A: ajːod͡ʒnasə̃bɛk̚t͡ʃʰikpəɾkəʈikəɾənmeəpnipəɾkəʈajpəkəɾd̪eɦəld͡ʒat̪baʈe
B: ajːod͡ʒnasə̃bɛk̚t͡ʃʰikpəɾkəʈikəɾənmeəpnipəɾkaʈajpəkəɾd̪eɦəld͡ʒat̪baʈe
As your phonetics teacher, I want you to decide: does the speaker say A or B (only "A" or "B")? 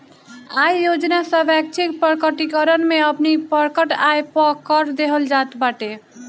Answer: A